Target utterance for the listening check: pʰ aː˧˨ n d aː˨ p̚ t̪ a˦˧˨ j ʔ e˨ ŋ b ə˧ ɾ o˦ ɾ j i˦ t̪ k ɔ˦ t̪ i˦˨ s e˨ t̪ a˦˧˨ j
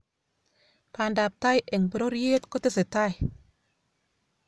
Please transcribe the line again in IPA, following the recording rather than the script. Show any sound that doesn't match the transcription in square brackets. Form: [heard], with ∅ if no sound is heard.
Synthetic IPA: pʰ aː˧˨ n d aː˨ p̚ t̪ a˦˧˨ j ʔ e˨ ŋ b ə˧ ɾ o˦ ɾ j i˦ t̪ k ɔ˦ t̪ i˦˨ s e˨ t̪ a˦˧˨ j